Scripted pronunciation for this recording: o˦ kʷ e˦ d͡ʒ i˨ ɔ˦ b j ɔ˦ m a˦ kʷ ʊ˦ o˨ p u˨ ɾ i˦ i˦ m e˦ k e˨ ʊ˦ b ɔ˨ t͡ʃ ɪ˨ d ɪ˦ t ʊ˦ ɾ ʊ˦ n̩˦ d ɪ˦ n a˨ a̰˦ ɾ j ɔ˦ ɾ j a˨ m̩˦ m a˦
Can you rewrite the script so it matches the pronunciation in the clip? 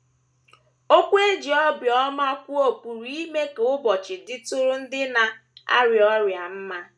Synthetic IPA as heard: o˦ kʷ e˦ d͡ʒ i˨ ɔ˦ b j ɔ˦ m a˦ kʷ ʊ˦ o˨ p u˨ ɾ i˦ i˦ m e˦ k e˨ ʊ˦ b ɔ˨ t͡ʃ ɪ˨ d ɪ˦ t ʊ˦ ɾ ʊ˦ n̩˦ d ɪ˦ n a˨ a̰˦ ɾ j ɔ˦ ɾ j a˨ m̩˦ m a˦